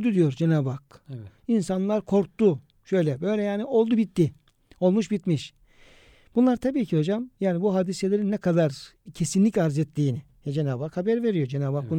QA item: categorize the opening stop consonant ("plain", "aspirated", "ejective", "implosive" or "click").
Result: plain